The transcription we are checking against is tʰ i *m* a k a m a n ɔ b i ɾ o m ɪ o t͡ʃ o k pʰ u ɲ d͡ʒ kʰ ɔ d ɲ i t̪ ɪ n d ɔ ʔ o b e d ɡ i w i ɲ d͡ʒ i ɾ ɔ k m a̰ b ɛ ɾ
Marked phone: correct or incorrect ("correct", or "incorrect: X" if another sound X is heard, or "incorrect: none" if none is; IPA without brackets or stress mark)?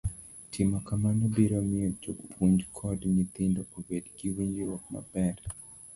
correct